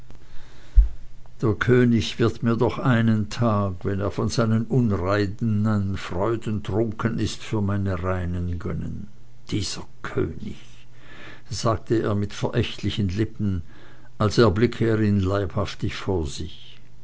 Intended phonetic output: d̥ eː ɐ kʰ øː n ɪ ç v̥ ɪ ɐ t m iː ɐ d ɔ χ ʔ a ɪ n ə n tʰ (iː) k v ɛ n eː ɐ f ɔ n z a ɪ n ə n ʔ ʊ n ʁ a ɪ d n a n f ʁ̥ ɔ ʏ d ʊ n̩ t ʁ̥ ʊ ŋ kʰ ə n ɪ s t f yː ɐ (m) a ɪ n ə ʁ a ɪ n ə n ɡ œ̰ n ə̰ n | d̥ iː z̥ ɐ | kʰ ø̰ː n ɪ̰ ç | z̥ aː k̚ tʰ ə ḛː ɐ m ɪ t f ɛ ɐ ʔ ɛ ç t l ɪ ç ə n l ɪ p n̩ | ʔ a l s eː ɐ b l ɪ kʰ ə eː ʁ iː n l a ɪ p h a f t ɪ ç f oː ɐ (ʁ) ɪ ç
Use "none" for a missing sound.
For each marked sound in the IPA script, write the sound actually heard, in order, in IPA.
aː, m, z

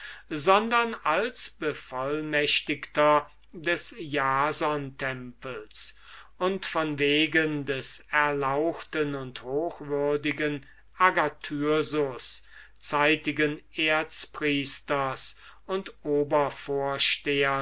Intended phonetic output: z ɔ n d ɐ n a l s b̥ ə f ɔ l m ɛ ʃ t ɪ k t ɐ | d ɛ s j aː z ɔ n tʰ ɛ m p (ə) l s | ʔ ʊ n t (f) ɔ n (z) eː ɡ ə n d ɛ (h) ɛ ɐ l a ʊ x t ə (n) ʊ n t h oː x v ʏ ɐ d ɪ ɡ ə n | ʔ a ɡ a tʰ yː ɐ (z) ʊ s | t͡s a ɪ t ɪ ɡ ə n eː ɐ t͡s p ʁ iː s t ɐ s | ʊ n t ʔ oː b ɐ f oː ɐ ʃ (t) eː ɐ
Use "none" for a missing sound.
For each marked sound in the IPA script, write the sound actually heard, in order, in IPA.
ə, f, v, s, n, z, t

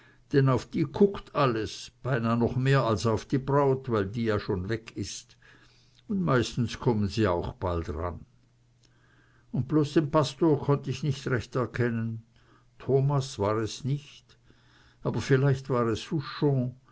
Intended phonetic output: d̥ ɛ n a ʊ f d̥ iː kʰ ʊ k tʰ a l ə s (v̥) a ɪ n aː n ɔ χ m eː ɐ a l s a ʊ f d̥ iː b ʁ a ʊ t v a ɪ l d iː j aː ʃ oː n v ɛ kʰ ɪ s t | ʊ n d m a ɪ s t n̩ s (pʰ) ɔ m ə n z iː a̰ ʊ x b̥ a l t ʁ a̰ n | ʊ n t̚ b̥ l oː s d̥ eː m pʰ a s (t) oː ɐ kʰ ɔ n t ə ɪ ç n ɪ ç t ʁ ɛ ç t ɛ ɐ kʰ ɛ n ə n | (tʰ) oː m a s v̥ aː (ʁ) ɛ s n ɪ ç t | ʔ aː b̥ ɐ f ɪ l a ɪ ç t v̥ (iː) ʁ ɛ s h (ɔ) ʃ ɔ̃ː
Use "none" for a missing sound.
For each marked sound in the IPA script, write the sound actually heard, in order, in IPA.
b̥, kʰ, t, tʰ, ʁ, aː, u

